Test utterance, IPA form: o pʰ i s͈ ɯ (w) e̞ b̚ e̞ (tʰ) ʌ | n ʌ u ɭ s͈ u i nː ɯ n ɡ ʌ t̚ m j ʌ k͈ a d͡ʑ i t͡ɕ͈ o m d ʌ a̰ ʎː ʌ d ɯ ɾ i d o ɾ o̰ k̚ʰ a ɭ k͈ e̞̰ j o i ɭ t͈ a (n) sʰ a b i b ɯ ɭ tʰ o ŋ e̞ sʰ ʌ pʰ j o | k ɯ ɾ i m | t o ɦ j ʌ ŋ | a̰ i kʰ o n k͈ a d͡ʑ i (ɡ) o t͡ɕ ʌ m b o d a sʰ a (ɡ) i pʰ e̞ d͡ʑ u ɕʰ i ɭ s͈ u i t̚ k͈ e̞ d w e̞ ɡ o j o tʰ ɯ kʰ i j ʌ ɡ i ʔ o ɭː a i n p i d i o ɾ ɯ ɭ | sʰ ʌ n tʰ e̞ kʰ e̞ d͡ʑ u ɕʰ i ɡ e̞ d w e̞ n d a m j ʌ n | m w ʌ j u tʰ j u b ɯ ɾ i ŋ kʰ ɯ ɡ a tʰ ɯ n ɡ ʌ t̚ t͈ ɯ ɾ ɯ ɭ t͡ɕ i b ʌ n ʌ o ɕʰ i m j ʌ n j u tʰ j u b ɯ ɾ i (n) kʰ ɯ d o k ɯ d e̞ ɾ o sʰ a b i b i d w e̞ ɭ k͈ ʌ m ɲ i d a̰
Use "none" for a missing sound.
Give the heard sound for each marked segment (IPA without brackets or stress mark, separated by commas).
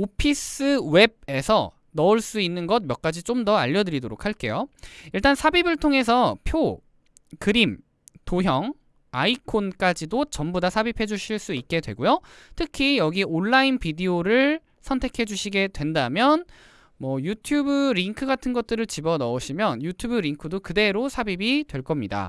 w, sʰ, n, d, b, ŋ